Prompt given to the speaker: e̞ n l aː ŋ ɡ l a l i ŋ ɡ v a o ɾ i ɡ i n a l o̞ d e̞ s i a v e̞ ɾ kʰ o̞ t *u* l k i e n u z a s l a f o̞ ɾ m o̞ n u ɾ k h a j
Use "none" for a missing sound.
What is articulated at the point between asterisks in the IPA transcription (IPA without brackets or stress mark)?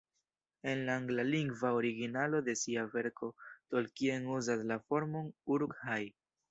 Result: o